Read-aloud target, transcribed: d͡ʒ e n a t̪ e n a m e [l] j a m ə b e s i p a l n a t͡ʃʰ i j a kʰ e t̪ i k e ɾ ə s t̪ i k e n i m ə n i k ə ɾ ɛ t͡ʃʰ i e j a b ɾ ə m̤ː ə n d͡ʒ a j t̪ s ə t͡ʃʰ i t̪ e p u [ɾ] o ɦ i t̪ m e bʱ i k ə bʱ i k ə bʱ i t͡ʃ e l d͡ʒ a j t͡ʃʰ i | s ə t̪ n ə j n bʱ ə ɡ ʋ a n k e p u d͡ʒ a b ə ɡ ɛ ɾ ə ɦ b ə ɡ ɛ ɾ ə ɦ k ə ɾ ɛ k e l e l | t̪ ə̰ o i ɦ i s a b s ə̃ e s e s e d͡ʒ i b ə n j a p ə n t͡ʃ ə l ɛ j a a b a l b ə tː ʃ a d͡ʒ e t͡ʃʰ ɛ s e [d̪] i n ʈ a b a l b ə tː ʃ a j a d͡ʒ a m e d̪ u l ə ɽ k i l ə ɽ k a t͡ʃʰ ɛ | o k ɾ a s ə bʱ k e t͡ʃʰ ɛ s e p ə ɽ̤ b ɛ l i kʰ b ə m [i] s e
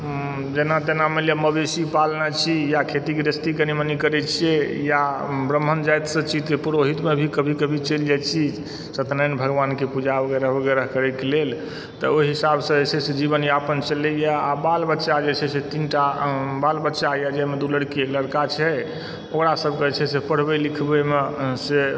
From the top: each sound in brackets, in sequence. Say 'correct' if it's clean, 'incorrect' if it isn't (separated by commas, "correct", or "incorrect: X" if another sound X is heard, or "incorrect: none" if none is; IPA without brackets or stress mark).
correct, correct, incorrect: t̪, incorrect: e